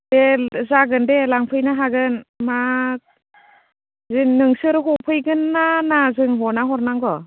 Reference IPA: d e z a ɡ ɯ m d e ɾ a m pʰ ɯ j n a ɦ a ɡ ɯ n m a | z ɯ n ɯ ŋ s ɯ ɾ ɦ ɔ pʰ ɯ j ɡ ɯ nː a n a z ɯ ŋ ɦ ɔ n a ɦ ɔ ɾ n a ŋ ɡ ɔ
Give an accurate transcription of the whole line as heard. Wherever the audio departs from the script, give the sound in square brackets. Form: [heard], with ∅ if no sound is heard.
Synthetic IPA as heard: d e z a ɡ ɯ [n] d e [l] a [ŋ] pʰ ɯ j n a ɦ a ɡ ɯ n m a | z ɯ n ɯ ŋ s ɯ ɾ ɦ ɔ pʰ ɯ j ɡ ɯ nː a n a z ɯ ŋ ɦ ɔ n a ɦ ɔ ɾ n a ŋ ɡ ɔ